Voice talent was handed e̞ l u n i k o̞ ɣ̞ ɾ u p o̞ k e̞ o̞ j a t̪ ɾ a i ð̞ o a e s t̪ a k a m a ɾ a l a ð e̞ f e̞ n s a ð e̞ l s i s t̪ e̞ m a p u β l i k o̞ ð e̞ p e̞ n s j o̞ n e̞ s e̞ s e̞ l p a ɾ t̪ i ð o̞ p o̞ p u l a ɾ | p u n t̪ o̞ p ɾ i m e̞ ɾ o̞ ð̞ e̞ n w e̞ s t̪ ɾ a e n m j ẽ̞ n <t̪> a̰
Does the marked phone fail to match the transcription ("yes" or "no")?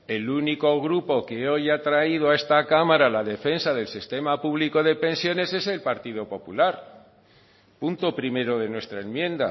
yes